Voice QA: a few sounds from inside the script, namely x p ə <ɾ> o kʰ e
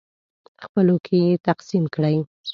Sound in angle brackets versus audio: incorrect: l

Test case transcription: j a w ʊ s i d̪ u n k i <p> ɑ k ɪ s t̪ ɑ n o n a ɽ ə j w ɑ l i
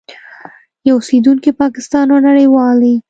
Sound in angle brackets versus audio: correct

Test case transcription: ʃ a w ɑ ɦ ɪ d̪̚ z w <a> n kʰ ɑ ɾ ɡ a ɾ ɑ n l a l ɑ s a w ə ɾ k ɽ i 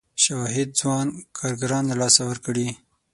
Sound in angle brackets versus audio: incorrect: ɑ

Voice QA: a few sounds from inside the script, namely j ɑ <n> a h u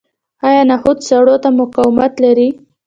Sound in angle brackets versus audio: correct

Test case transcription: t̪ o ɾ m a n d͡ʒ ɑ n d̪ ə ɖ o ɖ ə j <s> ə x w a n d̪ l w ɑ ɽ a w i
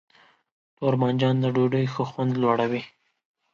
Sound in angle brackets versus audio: incorrect: x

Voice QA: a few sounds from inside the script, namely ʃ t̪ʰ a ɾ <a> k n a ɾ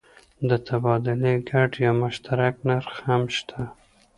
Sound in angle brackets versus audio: correct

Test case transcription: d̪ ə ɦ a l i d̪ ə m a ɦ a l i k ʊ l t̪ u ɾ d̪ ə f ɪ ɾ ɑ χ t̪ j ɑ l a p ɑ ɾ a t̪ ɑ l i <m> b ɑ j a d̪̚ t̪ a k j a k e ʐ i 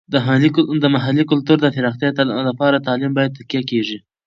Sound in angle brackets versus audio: correct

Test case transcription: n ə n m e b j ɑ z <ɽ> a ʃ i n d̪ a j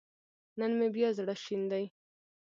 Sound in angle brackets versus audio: correct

